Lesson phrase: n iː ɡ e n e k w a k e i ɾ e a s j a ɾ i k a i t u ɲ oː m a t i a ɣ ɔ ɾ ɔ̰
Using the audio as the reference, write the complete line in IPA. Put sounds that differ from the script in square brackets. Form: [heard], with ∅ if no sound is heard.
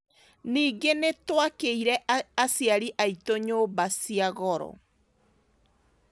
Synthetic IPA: n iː ɡ e n e [t] w a k e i ɾ [ɛ] a s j a ɾ i [ʔ] a i t [o] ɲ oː [b] a [s] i a ɣ ɔ ɾ ɔ̰